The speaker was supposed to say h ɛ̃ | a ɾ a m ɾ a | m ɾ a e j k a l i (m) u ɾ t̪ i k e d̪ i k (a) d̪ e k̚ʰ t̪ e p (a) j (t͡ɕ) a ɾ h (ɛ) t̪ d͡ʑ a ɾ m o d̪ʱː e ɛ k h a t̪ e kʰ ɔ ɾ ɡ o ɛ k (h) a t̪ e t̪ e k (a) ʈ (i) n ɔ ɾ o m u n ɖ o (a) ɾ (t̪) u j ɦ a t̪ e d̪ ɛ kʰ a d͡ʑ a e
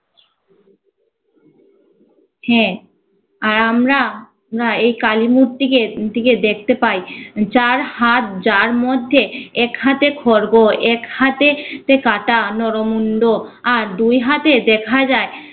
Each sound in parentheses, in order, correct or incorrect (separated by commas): correct, incorrect, correct, correct, incorrect, correct, correct, incorrect, correct, incorrect